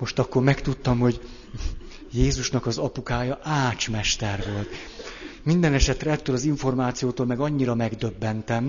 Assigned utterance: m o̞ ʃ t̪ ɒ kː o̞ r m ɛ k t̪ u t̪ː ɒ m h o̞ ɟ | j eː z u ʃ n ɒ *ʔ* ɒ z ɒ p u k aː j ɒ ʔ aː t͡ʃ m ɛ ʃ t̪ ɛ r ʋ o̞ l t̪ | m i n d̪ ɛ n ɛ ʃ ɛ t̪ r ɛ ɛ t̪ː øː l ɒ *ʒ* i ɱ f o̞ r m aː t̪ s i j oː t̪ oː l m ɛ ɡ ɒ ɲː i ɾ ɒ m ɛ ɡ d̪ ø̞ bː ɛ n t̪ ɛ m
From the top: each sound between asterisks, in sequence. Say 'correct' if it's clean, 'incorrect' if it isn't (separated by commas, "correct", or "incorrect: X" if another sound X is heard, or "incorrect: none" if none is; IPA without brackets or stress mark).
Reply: incorrect: k, incorrect: z